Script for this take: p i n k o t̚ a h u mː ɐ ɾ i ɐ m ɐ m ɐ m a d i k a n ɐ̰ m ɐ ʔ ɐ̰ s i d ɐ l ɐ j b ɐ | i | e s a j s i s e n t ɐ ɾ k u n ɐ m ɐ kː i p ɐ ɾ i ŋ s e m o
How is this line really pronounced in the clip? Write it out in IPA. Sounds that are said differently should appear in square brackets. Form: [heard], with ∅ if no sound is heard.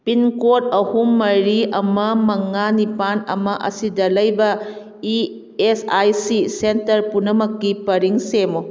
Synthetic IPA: p i n k o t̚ [ɐ] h u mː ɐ ɾ i ɐ m ɐ m ɐ [ŋ] a [n] i [p] a n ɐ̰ m ɐ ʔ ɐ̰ s i d ɐ l ɐ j b ɐ | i | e s a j s i s e n t ɐ ɾ [p] u n ɐ m ɐ kː i p ɐ ɾ i ŋ s e m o